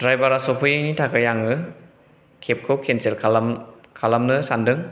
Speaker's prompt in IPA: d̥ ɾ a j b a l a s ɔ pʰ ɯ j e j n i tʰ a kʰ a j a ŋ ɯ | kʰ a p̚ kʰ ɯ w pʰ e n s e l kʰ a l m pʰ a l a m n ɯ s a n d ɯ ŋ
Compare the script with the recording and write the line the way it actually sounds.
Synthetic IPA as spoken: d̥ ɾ a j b a ɾ a s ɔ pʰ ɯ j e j n i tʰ a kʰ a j a ŋ ɯ | kʰ e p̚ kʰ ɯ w kʰ e n s e l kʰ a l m kʰ a l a m n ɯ s a n d ɯ ŋ